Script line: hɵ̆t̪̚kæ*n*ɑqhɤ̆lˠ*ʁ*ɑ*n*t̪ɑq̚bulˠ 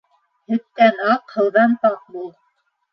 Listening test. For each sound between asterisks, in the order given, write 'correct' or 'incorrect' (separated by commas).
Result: correct, incorrect, correct